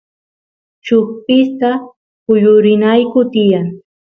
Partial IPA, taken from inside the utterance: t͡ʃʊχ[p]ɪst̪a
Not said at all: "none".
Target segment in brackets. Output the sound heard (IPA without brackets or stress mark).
p